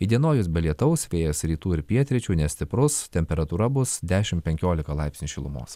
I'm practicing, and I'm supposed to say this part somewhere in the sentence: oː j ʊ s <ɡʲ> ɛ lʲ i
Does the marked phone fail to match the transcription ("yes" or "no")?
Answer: yes